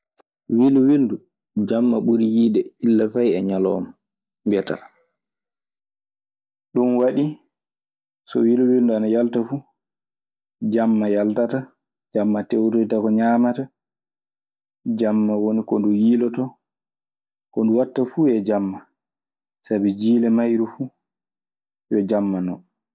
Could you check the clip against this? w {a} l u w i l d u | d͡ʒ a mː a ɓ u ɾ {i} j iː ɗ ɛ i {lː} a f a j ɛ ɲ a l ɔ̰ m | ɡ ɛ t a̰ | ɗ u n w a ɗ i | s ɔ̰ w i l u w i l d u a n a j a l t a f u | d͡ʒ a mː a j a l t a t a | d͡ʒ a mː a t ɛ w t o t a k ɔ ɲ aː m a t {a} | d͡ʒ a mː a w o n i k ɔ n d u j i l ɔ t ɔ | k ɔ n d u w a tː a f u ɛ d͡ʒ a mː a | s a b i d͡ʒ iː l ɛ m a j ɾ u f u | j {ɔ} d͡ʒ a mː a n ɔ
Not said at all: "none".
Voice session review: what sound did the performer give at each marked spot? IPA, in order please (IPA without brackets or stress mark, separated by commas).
i, i, lː, a, ɔ